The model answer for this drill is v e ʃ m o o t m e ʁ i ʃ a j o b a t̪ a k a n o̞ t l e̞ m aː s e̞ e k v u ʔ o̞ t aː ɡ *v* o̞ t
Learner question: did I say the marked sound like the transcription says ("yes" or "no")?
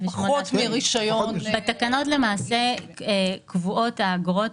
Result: no